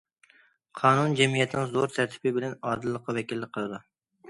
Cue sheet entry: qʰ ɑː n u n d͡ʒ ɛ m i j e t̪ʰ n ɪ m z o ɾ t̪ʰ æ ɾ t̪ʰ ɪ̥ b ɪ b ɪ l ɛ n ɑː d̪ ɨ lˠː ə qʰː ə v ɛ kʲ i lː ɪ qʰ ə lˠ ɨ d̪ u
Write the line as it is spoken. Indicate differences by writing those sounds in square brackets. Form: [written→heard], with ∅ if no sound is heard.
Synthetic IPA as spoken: qʰ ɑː n u n d͡ʒ ɛ m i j [e→ɛ] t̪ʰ n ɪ [m→ŋ] z o ɾ t̪ʰ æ ɾ t̪ʰ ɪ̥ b ɪ b ɪ l ɛ n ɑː d̪ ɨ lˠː ə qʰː [ə→ɑ] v ɛ kʲ i lː ɪ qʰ ə lˠ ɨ d̪ u